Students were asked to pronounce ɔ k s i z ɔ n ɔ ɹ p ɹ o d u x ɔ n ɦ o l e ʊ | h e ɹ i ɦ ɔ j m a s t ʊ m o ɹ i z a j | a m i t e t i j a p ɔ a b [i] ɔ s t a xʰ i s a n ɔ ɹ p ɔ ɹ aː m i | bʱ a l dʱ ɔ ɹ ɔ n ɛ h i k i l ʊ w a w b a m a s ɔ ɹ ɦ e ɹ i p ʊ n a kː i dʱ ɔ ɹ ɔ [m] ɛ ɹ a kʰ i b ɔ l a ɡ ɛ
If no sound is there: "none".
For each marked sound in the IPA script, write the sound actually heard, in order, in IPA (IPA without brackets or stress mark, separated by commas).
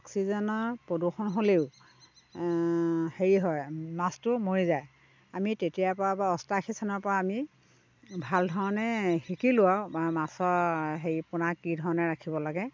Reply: a, n